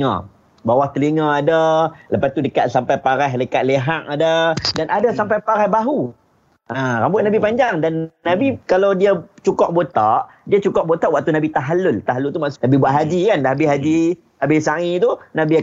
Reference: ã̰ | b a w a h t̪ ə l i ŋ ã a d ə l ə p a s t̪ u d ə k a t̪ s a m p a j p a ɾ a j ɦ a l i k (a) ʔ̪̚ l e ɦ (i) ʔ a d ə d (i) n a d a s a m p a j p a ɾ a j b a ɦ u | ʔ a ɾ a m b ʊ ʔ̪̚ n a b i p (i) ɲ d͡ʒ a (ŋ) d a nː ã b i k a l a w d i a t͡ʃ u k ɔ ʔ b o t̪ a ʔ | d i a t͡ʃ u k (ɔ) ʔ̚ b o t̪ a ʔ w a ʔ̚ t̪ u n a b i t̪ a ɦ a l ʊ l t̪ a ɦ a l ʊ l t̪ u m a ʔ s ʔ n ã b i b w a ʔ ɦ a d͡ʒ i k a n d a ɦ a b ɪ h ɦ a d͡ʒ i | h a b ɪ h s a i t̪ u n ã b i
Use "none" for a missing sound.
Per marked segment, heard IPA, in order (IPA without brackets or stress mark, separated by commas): a, a, a, a, ŋ, ɔ